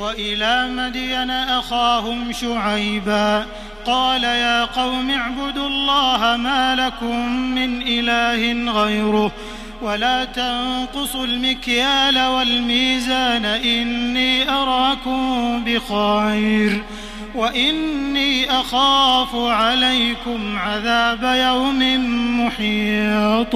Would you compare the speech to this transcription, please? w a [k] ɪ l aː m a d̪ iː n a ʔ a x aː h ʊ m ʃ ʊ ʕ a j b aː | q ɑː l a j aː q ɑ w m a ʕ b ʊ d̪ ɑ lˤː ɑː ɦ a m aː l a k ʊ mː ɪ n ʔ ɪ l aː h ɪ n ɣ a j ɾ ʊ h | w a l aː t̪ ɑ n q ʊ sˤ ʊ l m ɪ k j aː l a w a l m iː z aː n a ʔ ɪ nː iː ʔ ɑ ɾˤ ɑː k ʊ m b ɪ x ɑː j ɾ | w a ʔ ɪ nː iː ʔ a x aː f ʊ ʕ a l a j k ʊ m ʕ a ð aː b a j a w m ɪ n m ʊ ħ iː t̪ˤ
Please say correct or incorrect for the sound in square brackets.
incorrect